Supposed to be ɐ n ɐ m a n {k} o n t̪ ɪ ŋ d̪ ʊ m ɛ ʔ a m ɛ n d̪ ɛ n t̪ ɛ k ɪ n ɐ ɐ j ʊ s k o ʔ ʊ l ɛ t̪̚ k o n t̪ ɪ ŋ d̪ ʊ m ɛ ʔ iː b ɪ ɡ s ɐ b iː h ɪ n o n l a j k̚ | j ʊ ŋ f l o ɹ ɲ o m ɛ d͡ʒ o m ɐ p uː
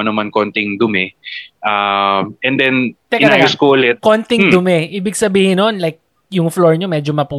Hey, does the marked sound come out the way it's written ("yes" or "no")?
yes